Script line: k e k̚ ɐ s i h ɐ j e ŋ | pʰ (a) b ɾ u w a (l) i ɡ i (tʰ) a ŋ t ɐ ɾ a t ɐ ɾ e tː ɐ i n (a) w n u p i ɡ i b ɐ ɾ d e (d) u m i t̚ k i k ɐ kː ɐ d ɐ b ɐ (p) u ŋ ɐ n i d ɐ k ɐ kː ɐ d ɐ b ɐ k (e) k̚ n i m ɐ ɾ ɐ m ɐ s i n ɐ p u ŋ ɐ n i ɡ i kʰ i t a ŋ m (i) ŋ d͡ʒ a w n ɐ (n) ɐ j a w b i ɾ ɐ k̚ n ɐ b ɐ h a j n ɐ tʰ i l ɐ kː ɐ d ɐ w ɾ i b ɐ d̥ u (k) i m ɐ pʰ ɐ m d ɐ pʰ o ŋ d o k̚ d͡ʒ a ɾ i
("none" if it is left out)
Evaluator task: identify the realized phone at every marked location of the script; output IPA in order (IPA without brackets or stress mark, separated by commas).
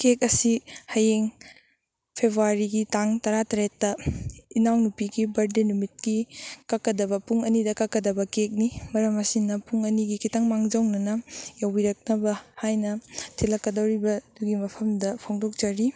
e, ɾ, t, a, n, p, e, a, n, ɡ